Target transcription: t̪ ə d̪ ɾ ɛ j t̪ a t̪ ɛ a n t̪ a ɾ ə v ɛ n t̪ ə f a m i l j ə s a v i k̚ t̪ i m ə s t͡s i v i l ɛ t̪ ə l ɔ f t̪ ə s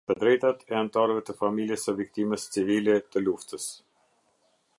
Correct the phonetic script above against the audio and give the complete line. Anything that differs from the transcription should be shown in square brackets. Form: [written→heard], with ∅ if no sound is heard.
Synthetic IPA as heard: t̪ ə d̪ ɾ ɛ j t̪ a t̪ ɛ a n t̪ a ɾ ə v ɛ [n→∅] t̪ ə f a m i l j ə s [a→ə] v i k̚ t̪ i m ə s t͡s i v i l ɛ t̪ ə l [ɔ→u] f t̪ ə s